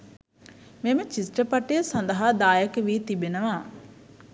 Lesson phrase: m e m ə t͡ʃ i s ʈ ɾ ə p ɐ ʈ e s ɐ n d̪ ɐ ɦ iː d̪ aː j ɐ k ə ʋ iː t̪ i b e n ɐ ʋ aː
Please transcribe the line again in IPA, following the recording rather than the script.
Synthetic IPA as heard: m e m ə t͡ʃ i s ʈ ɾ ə p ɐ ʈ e s ɐ n d̪ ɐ ɦ aː d̪ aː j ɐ k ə ʋ iː t̪ i b e n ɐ ʋ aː